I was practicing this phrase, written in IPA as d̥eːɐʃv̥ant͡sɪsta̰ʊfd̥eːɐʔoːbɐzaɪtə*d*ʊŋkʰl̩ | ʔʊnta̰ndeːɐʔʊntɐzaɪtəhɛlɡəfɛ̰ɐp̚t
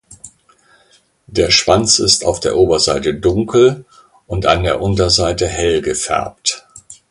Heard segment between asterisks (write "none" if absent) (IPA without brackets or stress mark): d